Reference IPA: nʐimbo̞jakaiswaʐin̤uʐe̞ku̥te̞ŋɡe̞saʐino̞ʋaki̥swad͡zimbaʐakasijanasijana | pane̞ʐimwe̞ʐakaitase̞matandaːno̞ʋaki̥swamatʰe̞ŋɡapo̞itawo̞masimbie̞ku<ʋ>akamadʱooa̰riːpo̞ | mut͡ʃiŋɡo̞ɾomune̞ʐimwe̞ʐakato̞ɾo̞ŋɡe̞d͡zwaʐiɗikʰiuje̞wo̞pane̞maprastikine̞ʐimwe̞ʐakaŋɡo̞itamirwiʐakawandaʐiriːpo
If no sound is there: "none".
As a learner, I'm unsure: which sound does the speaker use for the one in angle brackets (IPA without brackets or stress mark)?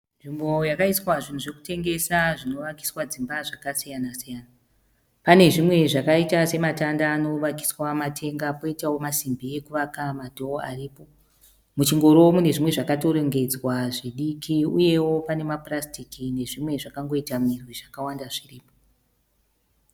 ʋ